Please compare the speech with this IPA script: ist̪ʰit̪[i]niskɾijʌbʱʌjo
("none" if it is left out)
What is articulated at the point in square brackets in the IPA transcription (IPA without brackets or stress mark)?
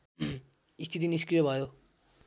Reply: i